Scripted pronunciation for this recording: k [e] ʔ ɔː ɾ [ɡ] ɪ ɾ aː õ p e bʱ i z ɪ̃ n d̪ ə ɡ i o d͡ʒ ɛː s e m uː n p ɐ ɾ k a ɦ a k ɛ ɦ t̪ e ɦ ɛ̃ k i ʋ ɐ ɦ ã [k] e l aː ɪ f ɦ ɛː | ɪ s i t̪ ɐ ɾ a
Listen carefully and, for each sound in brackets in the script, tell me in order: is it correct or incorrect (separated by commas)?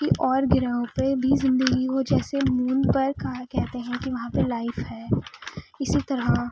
incorrect, correct, incorrect